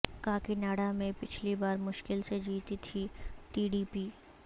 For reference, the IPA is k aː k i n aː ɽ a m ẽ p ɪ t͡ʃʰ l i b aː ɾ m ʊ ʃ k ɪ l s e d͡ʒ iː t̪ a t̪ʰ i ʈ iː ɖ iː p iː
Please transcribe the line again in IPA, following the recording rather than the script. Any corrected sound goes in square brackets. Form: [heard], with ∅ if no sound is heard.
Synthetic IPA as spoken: k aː k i n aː ɽ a m ẽ p ɪ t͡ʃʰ l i b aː ɾ m ʊ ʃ k ɪ l s e d͡ʒ iː t̪ [i] t̪ʰ i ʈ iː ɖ iː p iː